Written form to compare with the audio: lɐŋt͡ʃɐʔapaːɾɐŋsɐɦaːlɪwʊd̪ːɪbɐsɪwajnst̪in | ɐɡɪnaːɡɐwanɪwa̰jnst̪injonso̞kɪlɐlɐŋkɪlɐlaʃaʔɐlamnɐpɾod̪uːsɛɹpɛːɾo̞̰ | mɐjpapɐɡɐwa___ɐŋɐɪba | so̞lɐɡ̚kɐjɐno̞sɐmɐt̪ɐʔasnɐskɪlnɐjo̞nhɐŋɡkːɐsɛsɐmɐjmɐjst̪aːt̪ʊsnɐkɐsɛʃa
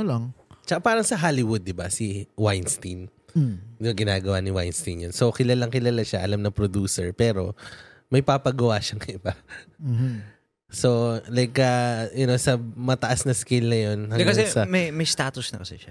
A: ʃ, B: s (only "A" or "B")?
A